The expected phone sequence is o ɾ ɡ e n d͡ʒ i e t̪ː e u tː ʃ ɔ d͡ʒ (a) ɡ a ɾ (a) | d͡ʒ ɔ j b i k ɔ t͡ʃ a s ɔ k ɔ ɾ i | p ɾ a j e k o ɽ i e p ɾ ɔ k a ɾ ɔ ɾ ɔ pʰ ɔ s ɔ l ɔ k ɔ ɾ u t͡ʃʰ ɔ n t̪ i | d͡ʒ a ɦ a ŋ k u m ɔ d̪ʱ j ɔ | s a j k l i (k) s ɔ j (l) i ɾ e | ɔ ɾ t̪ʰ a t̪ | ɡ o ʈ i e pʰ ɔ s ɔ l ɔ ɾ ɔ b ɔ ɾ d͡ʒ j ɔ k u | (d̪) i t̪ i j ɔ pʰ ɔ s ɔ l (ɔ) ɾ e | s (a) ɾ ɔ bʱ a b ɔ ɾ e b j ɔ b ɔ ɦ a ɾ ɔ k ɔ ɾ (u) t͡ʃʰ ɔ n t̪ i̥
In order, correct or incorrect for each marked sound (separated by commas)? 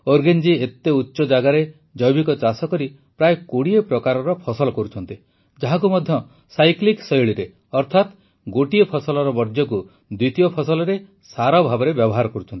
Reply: correct, incorrect, correct, incorrect, correct, correct, correct, correct